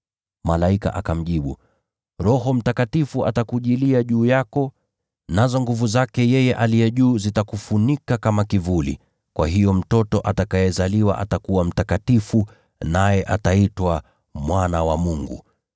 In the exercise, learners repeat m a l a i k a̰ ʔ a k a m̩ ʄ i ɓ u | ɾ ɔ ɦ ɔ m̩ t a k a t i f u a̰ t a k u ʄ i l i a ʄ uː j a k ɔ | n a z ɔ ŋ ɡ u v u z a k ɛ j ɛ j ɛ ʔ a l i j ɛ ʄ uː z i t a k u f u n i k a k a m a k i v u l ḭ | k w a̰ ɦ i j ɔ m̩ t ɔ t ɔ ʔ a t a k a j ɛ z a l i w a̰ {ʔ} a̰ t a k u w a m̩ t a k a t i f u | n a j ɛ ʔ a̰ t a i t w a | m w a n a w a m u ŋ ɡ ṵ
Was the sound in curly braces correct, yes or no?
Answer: yes